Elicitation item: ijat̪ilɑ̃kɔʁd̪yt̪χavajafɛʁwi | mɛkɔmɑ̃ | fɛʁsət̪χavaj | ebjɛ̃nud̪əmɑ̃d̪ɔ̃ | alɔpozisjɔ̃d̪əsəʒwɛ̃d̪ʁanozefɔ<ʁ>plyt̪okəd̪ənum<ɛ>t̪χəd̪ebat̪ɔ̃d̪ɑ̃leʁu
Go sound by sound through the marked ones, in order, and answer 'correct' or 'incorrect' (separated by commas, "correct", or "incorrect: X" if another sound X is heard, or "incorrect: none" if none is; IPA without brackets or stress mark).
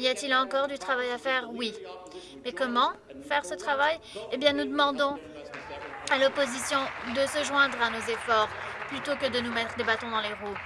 correct, correct